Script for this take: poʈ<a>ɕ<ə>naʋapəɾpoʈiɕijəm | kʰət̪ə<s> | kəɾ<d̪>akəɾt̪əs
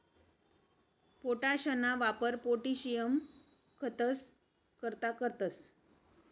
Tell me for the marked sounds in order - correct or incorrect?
correct, correct, correct, incorrect

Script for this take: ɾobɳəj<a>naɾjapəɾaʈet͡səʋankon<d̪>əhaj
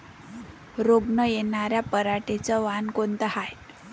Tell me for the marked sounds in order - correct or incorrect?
incorrect, incorrect

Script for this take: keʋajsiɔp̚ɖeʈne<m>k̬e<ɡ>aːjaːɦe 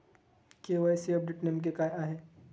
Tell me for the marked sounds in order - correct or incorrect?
correct, incorrect

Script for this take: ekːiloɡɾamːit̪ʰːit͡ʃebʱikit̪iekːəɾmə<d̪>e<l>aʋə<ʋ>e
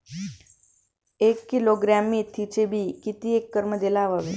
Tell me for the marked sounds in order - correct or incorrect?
correct, correct, correct

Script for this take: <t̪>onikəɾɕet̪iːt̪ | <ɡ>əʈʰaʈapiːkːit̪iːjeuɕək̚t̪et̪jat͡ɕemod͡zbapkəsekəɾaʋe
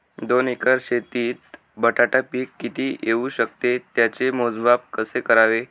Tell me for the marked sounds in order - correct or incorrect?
incorrect, incorrect

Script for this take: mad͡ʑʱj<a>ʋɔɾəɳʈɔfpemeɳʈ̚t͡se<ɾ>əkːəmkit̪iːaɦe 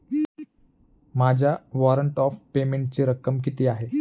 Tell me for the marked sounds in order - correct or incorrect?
correct, correct

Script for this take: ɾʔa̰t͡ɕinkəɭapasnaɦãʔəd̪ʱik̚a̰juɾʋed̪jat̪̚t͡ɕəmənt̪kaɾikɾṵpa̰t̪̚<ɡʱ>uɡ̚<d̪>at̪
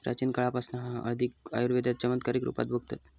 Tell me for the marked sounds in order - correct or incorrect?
incorrect, incorrect

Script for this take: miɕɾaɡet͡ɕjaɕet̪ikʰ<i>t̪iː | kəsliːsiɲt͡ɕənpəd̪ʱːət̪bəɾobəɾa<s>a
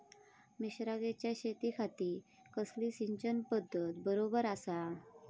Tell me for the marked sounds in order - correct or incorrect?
incorrect, correct

